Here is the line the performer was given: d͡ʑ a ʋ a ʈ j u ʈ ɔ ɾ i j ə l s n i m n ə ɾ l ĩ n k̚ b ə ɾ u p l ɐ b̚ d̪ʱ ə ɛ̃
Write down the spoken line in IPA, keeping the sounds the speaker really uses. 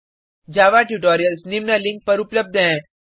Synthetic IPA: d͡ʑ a ʋ a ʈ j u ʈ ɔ ɾ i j ə l s n i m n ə l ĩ ŋ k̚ p ə ɾ u p l ə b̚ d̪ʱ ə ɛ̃